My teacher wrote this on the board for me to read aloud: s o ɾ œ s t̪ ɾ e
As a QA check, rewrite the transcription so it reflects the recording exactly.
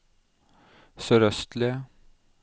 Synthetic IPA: s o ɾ œ s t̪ l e